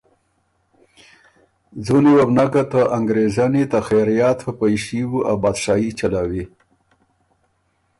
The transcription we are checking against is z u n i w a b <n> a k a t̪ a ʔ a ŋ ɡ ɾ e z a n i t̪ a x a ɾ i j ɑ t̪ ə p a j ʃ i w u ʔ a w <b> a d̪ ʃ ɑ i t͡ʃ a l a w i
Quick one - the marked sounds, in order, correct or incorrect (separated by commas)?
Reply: correct, correct